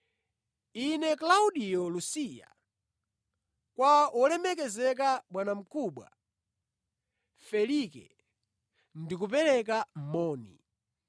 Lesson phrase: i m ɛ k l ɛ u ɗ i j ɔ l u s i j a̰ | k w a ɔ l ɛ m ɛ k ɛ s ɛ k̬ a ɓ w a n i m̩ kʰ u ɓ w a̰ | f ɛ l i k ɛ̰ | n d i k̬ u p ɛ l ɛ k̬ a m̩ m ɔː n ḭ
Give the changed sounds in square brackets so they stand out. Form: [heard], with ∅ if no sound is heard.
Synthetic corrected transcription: i [n] ɛ k l [a] u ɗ i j ɔ l u s i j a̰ | k w a ɔ l ɛ m ɛ k ɛ [z] ɛ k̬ a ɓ w a n [a] m̩ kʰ u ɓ w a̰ | f ɛ l i k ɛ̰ | n d i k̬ u p ɛ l ɛ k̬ a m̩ m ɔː n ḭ